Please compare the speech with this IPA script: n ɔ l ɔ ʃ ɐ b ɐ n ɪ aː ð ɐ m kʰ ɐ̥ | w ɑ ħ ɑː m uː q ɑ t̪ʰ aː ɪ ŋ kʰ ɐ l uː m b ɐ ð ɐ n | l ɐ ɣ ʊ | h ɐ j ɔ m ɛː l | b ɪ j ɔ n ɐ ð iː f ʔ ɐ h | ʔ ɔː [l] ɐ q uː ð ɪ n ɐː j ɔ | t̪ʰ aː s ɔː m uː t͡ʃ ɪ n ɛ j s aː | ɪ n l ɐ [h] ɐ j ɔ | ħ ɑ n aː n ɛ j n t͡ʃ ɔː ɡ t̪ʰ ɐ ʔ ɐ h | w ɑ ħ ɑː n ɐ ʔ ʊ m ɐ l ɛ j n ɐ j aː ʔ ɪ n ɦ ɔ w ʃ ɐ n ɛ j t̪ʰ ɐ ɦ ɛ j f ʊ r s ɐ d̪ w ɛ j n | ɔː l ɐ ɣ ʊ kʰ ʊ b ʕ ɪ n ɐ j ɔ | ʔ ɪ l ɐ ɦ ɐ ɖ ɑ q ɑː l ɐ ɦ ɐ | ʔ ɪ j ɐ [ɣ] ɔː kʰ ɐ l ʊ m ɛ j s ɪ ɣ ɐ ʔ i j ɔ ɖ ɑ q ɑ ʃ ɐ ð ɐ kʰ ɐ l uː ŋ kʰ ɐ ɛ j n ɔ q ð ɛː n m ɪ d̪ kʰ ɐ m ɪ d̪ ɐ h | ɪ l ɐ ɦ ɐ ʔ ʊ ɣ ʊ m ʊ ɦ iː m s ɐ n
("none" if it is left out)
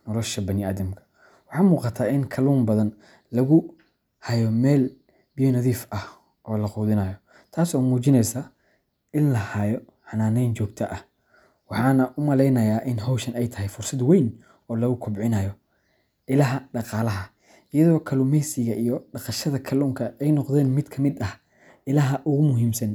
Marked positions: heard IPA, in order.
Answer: l, h, ð

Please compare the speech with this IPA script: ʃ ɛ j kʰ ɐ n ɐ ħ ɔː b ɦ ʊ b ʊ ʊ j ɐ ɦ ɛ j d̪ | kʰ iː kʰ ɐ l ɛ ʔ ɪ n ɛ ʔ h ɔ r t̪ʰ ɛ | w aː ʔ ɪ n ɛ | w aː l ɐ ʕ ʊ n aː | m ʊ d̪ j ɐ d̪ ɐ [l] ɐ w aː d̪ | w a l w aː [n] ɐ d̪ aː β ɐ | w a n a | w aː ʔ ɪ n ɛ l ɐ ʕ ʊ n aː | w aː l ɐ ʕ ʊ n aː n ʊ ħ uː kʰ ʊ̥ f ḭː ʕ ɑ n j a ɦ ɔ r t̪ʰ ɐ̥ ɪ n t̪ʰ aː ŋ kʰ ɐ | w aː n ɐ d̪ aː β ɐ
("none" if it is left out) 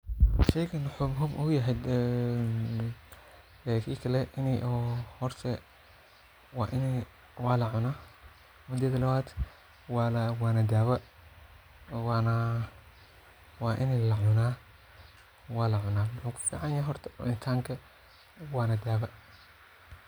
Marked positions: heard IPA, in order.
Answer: l, n

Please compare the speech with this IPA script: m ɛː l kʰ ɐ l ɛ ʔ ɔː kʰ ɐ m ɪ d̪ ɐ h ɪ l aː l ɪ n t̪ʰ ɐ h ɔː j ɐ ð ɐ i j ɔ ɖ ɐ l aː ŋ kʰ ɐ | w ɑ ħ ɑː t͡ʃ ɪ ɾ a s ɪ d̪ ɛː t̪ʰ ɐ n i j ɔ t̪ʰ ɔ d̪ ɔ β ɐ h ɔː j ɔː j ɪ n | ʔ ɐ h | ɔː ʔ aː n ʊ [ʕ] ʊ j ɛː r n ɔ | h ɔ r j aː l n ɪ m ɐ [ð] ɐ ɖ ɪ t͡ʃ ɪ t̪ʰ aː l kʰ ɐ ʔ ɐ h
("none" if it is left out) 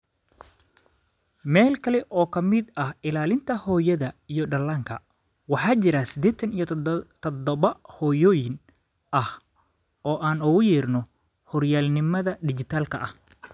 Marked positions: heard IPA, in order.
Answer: ɣ, ð

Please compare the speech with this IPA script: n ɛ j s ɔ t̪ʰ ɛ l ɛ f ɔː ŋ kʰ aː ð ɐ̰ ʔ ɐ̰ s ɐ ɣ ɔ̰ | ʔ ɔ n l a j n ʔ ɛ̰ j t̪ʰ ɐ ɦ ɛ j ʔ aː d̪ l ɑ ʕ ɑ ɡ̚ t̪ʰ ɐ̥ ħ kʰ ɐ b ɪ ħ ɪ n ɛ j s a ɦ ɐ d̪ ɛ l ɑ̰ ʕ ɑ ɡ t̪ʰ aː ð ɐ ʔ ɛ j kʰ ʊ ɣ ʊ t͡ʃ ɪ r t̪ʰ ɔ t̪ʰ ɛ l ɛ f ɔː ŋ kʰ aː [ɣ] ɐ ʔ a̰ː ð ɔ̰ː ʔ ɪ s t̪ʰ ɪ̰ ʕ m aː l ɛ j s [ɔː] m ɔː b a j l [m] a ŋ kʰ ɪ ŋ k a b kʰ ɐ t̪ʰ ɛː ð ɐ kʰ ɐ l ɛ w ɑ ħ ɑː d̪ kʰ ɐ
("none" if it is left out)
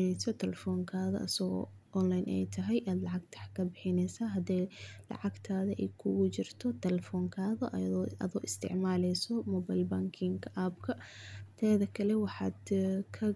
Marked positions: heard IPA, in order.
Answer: ð, ɔ, b

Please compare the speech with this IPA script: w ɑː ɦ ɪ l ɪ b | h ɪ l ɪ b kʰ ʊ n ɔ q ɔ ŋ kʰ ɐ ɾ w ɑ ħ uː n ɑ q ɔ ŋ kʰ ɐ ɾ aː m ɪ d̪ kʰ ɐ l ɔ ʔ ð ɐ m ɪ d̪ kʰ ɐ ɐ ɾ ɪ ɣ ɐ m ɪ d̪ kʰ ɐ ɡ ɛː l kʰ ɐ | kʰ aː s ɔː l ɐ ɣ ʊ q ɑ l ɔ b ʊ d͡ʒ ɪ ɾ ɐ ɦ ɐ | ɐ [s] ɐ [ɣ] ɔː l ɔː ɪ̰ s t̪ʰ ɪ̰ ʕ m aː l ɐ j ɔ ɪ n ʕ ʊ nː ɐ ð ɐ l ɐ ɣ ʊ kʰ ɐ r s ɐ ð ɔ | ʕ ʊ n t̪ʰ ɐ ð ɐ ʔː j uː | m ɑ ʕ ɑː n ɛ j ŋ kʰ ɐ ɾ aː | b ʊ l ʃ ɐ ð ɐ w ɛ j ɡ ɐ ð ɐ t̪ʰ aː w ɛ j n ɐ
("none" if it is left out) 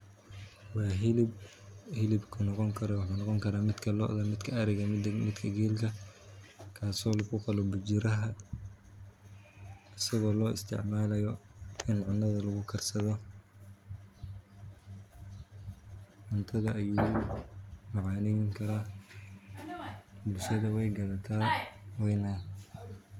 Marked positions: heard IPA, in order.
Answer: s, ɣ

